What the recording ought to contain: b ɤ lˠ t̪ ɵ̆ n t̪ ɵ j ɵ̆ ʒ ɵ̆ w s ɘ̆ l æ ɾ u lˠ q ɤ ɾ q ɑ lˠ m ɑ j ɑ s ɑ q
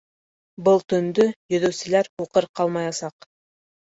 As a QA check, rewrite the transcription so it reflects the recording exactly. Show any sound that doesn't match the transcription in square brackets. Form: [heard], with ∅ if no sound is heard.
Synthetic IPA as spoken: b ɤ lˠ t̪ ɵ̆ n [d̪] ɵ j ɵ̆ [ð] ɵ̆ w s ɘ̆ l æ ɾ u [∅] q ɤ ɾ q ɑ lˠ m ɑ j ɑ s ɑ q